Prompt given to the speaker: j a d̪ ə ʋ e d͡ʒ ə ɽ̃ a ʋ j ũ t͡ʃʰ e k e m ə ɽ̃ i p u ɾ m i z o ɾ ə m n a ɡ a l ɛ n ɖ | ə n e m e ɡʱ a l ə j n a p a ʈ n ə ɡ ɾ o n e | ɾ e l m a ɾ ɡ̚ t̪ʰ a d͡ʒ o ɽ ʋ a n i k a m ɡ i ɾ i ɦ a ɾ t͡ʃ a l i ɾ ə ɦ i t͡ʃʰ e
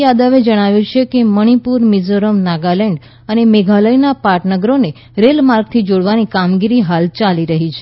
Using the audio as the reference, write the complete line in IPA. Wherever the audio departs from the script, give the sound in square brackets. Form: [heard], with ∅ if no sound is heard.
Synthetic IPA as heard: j a d̪ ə ʋ e d͡ʒ ə ɽ̃ a ʋ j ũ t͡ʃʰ e k e m ə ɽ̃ i p u ɾ m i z o ɾ ə m n a ɡ a l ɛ [ɳ] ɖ | ə n e m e ɡʱ a l ə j n a p a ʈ n ə ɡ ɾ o n e | ɾ e l m a ɾ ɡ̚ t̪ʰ [i] d͡ʒ o ɽ ʋ a n i k a m ɡ i ɾ i ɦ a [l] t͡ʃ a l i ɾ ə ɦ i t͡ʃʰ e